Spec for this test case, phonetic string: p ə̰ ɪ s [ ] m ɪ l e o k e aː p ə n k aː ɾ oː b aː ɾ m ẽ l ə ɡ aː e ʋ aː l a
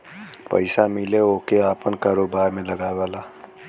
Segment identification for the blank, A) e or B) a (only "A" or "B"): B